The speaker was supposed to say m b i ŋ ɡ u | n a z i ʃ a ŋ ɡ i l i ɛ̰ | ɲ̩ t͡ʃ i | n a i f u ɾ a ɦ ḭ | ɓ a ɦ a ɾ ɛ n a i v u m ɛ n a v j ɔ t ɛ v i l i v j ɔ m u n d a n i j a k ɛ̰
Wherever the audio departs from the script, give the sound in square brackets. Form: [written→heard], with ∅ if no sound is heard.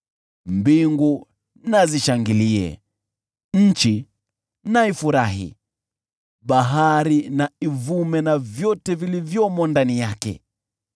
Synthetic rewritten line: m b i ŋ ɡ u | n a z i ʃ a ŋ ɡ i l i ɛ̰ | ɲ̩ t͡ʃ i | n a i f u ɾ a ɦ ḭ | ɓ a ɦ a ɾ [ɛ→i] n a i v u m ɛ n a v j ɔ t ɛ v i l i v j ɔ m [u→ɔ] n d a n i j a k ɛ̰